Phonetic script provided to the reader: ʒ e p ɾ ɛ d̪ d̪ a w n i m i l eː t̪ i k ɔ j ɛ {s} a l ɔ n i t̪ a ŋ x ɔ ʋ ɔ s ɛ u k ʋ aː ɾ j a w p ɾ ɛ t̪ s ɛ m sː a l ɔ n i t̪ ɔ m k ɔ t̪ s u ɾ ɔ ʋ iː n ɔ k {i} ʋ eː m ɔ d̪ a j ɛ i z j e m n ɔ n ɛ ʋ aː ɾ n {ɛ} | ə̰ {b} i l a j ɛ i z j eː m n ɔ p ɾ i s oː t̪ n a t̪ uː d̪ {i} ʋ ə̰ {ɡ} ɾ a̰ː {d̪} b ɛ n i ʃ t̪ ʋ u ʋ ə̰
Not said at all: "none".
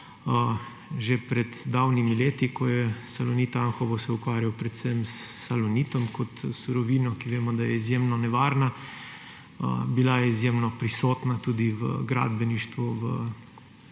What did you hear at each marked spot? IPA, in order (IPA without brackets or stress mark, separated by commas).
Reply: s, i, a, b, i, ɡ, d̪